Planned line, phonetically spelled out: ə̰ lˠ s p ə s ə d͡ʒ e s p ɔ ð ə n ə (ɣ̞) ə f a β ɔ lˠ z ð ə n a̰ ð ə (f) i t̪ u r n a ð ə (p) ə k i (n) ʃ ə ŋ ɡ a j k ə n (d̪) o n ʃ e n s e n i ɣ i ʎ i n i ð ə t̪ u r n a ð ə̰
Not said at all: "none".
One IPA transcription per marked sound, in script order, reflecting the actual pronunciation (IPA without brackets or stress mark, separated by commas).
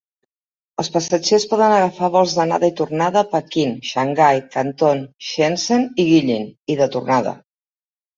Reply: ɣ̞, none, p, n, t̪